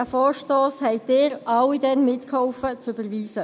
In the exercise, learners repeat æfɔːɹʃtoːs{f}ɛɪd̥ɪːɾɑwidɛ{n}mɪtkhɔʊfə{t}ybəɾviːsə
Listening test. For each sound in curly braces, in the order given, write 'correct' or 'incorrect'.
incorrect: h, correct, incorrect: t͡s

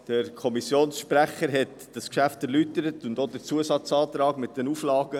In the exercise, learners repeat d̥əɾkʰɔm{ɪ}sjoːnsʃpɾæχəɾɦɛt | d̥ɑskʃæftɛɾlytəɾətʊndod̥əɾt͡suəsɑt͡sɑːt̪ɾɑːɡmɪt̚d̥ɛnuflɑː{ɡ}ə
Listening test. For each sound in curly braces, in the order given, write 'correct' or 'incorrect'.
incorrect: i, correct

